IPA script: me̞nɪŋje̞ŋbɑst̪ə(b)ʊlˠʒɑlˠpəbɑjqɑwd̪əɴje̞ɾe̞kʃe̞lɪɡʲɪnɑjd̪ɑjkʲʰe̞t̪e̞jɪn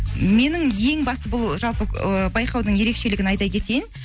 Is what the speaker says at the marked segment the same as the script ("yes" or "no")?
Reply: yes